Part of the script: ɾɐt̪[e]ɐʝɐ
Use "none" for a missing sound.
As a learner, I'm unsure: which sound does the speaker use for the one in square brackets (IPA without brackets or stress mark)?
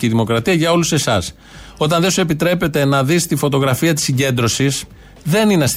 i